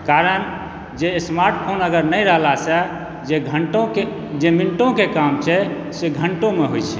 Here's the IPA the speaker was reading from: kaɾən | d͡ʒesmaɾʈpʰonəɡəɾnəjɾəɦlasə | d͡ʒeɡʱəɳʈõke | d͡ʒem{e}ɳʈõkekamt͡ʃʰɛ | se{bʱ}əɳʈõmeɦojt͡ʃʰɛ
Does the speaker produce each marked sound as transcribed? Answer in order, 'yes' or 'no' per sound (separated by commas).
no, no